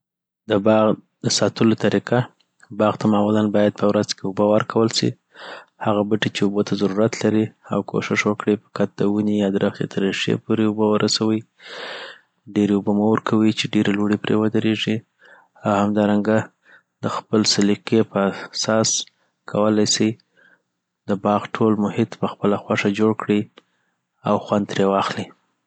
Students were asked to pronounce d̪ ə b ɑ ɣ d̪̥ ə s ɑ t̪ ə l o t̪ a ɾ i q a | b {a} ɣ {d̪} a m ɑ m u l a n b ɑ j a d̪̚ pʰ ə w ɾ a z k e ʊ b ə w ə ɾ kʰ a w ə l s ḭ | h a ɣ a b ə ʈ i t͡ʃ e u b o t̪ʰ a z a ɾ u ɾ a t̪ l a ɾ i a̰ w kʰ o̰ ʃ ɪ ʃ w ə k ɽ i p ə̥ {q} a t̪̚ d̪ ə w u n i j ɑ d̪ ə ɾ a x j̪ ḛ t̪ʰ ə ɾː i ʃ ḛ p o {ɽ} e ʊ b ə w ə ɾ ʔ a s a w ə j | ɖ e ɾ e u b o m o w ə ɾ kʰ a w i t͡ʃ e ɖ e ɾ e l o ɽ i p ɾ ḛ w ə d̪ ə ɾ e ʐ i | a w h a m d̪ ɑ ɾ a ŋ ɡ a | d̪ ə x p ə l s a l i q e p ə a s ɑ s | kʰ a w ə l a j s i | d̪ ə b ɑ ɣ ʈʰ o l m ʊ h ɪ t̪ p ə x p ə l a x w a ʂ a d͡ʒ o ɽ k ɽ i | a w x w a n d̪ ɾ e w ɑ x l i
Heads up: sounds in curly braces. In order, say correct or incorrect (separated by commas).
incorrect, incorrect, incorrect, incorrect